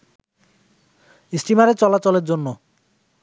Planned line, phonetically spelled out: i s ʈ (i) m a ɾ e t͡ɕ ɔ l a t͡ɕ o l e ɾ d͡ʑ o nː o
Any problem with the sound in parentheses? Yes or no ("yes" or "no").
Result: no